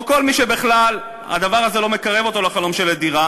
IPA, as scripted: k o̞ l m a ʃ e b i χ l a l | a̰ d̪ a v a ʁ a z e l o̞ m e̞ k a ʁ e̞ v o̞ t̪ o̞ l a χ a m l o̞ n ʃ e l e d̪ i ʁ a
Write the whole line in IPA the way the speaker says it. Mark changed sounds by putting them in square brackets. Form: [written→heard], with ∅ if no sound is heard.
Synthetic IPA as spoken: k o̞ l m [a→i] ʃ e b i χ l a l | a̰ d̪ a v a ʁ a z e l o̞ m e̞ k a ʁ e̞ v o̞ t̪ o̞ l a χ a [m→∅] l o̞ [n→m] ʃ e l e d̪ i ʁ a